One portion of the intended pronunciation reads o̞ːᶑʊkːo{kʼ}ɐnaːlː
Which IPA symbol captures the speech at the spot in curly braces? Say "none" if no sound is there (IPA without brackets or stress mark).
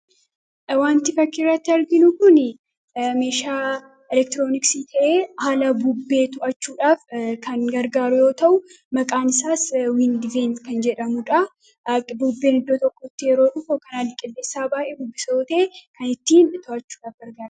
k